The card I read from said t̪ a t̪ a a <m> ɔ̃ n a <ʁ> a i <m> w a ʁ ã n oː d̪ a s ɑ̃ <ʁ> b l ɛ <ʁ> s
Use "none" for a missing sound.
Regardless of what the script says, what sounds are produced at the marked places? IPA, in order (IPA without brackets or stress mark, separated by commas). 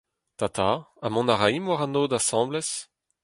m, ʁ, m, none, none